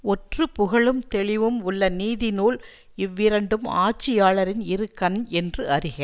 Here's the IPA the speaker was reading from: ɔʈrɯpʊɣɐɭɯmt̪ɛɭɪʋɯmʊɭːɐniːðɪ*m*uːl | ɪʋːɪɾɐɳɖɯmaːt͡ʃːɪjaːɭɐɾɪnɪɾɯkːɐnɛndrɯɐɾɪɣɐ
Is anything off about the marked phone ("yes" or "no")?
yes